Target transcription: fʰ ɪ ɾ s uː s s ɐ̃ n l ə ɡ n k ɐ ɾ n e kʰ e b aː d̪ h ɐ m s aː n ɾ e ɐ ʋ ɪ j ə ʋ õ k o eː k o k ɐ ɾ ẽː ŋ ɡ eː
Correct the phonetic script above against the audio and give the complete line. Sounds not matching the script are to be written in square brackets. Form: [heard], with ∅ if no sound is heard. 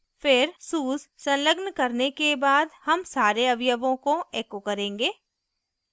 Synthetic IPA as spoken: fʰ ɪ ɾ s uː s s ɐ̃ n l ə ɡ n k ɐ ɾ n e [k] e b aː d̪ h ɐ m s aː [∅] ɾ e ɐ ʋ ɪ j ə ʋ õ k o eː k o k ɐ ɾ ẽː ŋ ɡ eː

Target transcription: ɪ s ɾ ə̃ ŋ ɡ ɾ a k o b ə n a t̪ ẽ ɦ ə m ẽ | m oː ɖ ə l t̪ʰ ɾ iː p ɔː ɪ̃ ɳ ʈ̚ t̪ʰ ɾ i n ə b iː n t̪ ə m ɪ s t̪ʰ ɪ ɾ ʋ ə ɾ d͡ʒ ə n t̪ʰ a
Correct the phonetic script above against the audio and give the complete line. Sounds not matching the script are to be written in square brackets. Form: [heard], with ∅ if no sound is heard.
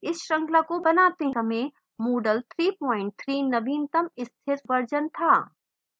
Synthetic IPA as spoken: ɪ s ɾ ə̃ ŋ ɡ [l] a k o b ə n a t̪ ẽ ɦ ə m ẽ | m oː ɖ ə l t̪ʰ ɾ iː p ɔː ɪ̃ ɳ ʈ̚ t̪ʰ ɾ i n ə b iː n t̪ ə m ɪ s t̪ʰ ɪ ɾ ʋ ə ɾ d͡ʒ ə n t̪ʰ a

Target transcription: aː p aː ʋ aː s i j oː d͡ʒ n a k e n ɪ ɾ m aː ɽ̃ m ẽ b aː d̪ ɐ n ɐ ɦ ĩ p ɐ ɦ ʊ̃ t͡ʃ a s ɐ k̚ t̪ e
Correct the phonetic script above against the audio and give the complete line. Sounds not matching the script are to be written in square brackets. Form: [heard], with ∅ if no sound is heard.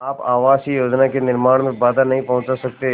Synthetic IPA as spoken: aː p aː ʋ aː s i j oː d͡ʒ n a k e n ɪ ɾ m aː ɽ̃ m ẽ b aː d̪ [a] n ɐ ɦ ĩ p ɐ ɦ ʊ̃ t͡ʃ a s ɐ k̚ t̪ e

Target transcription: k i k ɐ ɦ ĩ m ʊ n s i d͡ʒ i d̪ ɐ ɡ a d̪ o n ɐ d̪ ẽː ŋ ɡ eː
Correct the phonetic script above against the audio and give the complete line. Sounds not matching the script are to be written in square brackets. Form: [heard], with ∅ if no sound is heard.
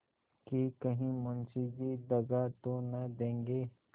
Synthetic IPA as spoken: k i k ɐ ɦ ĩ m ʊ n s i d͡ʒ i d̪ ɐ ɡ a [t̪] o n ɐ d̪ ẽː ŋ ɡ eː

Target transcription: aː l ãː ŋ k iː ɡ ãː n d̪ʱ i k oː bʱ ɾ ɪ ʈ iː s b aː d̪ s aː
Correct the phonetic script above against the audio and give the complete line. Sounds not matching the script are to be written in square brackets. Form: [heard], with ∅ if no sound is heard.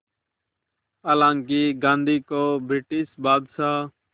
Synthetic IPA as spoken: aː l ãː ŋ k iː ɡ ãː n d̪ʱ [iː] k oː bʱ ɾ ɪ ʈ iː s b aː d̪ s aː

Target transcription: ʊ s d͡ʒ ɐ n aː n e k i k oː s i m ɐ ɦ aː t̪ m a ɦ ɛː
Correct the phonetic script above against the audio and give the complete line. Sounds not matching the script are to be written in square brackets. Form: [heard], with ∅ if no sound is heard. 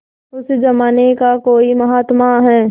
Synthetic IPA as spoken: ʊ s d͡ʒ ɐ [m] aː n e k [a] k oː [∅] i m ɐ ɦ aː t̪ m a ɦ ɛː

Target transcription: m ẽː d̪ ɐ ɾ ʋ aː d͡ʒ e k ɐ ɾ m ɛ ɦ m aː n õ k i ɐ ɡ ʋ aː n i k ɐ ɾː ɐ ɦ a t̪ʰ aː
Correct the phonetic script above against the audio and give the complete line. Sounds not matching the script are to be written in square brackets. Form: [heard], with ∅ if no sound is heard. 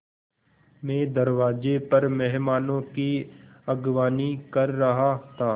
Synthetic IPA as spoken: m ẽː d̪ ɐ ɾ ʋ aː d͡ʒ e [p] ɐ ɾ m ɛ ɦ m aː n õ k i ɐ ɡ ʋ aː n i k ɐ ɾː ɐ ɦ a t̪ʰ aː

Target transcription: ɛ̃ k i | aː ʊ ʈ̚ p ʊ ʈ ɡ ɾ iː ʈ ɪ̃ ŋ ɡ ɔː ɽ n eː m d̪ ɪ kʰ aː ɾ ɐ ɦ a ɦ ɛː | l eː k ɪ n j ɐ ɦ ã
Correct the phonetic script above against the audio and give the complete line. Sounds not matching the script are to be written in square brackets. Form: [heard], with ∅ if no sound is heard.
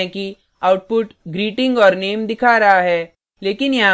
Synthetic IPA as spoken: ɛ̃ k i | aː ʊ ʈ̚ p ʊ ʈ ɡ ɾ iː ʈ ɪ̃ ŋ ɡ ɔː [ɾ] n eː m d̪ ɪ kʰ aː ɾ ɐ ɦ a ɦ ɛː | l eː k ɪ n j ɐ ɦ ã

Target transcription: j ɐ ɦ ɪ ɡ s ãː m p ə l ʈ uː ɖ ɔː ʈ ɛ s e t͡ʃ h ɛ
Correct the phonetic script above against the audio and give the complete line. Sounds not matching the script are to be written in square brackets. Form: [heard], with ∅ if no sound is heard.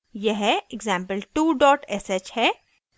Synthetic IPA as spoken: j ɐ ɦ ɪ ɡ [z] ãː m p ə l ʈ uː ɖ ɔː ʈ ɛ s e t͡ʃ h ɛ

